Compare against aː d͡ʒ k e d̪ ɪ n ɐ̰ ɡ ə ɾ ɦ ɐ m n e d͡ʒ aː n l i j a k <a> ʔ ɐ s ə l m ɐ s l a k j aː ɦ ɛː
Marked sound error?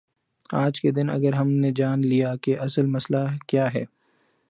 yes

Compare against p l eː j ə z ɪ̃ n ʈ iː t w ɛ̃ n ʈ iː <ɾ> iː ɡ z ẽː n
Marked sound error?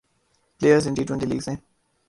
yes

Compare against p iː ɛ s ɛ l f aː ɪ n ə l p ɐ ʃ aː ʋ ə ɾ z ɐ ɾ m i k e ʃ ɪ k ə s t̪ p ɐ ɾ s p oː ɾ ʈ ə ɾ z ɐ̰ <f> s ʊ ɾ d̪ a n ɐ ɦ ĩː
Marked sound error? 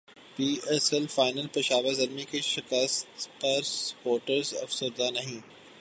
no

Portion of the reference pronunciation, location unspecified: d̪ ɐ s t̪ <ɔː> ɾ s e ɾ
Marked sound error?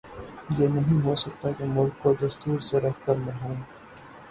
yes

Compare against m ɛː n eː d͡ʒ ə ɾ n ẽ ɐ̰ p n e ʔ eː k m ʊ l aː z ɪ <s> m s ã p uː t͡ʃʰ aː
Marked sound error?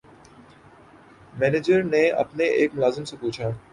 yes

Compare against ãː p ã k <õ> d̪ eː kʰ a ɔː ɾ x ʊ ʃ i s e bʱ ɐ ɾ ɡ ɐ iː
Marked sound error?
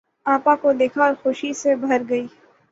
yes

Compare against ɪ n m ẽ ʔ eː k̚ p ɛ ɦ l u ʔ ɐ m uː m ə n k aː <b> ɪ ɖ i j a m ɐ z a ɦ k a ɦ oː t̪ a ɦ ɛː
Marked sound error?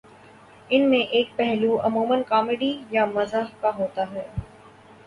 yes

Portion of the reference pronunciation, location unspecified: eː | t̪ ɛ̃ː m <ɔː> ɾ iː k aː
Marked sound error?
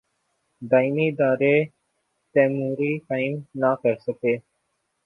yes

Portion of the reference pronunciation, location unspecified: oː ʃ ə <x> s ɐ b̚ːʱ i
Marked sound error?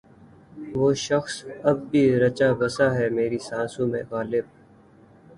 no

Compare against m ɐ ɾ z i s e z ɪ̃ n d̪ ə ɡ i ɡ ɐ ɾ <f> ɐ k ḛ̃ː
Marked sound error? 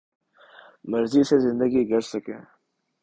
yes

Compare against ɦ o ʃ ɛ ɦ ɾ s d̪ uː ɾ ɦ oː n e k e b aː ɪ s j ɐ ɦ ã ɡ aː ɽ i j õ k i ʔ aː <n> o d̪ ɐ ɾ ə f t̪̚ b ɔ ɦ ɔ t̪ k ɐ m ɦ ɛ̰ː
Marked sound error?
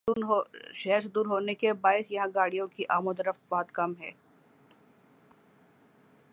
yes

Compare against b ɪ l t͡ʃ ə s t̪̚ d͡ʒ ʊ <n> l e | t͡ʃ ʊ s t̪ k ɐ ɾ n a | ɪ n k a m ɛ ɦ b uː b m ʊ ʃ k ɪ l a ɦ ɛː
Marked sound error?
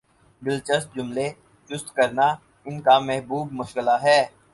yes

